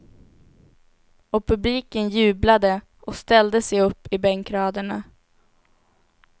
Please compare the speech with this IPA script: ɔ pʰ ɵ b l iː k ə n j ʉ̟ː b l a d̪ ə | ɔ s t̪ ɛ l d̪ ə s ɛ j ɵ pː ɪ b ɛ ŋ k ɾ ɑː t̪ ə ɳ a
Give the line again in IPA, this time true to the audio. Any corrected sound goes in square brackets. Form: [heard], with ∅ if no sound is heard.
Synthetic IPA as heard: ɔ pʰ ɵ b l iː k ə n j ʉ̟ː b l a d̪ ə | ɔ s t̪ ɛ l d̪ ə s ɛ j ɵ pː ɪ b ɛ ŋ k ɾ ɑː [d̪] ə ɳ a